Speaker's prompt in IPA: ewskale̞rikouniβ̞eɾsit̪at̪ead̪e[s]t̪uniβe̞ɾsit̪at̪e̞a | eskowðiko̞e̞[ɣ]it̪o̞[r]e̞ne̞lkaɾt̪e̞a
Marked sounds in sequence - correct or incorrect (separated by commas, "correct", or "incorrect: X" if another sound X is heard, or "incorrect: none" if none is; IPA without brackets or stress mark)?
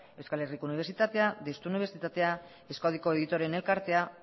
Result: correct, incorrect: ð, incorrect: ɾ